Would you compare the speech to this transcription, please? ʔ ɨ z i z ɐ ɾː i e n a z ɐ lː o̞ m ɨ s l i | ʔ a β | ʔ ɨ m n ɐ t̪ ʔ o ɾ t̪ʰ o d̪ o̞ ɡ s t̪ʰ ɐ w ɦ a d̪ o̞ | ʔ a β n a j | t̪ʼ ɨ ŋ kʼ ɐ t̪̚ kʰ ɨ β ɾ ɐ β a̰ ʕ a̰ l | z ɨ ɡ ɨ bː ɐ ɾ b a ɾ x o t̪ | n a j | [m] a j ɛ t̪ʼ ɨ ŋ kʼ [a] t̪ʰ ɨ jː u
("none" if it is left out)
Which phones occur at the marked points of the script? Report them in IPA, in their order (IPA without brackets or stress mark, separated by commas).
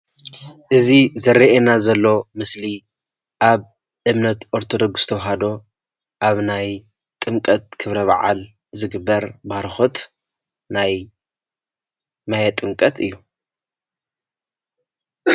m, ɐ